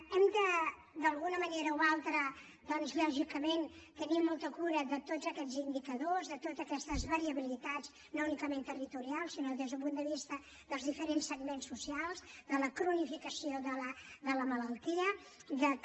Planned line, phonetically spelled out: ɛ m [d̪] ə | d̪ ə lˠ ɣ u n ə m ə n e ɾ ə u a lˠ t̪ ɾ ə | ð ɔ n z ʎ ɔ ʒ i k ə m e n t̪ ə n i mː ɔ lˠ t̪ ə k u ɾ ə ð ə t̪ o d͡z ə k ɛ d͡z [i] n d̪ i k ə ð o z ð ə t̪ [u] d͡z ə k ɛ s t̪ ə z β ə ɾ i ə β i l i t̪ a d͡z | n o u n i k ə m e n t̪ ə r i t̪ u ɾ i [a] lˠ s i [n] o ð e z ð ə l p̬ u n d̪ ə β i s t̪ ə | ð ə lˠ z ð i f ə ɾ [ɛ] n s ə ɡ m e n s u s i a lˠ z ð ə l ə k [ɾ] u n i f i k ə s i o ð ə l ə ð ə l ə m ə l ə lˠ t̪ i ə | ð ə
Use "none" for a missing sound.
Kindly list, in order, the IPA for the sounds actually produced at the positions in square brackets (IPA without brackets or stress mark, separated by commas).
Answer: d̪, i, o, a, n, e, ɾ